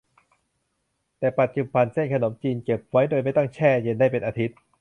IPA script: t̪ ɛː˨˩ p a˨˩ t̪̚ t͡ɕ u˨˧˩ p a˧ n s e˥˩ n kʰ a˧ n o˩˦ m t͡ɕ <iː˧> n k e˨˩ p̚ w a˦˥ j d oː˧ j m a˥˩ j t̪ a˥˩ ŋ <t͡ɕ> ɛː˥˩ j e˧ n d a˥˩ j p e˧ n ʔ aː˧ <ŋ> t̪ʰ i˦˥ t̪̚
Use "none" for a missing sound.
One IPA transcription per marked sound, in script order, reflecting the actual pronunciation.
iː˧, t͡ɕʰ, none

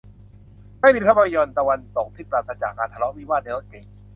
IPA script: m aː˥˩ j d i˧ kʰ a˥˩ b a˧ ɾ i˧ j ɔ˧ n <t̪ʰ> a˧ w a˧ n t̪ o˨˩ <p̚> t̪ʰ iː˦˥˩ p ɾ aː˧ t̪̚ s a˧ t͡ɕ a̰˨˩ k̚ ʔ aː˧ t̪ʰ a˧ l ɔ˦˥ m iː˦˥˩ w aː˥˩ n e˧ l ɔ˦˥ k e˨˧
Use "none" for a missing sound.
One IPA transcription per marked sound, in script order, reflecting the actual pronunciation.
t̪, k̚

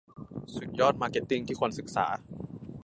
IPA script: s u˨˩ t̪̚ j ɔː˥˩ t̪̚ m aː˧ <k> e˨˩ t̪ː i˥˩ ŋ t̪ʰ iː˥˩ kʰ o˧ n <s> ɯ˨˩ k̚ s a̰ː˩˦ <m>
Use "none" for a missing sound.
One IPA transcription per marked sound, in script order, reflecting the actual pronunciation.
k, s, none

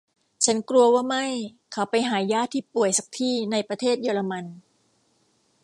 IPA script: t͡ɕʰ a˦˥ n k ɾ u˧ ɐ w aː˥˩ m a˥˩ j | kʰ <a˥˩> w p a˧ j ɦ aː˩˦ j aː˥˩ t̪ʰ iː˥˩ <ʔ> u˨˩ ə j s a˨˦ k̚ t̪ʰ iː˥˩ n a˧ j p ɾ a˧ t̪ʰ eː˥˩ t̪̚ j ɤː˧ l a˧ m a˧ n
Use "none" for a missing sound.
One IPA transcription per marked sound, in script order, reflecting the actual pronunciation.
a˦˥, p

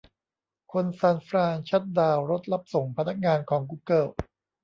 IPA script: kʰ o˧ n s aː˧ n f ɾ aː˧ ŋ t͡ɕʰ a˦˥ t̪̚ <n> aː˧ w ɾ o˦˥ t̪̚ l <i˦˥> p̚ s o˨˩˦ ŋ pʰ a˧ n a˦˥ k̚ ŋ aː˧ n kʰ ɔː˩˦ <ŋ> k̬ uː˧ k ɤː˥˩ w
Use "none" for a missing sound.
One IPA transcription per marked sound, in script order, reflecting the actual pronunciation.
d, a˦˥, ŋ

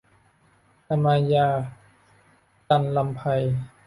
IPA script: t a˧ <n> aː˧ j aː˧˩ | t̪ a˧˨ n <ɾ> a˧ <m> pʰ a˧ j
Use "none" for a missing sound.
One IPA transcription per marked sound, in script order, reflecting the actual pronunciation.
m, l, m

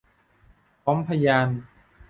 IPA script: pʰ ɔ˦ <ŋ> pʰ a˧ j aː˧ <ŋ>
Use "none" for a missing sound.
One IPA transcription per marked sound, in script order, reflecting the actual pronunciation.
m, n

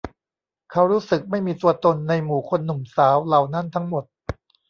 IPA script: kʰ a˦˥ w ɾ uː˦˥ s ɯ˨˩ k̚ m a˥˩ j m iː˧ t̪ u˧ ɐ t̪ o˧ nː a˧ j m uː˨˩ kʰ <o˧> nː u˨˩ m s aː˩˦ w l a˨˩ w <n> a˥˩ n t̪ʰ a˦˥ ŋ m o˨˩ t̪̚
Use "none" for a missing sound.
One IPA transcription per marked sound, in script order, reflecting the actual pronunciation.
o˧, n

